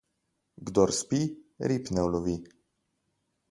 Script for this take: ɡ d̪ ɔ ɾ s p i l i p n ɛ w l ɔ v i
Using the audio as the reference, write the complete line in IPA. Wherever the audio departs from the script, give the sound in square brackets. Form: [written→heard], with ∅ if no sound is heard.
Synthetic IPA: ɡ d̪ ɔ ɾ s p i [l→ɾ] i p n ɛ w l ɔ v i